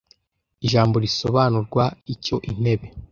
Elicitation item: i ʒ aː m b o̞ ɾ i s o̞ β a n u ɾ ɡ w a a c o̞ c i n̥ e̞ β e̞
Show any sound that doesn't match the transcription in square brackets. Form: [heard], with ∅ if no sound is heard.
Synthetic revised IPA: i ʒ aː m b o̞ ɾ i s o̞ β a n u ɾ ɡ w a [i] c o̞ [ʔ] i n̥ e̞ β e̞